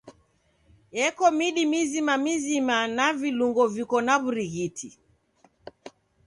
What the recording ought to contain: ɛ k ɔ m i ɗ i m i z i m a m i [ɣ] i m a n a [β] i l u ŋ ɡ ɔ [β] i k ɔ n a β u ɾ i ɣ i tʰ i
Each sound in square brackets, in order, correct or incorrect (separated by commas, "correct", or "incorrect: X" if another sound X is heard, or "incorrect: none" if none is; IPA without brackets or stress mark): incorrect: z, incorrect: v, incorrect: v